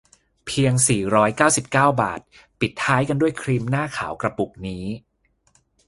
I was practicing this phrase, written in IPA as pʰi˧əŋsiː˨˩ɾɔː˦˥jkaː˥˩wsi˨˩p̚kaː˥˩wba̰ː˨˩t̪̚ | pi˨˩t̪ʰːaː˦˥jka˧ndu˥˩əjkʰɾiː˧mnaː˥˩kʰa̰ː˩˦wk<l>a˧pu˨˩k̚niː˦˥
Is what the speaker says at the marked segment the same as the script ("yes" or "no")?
no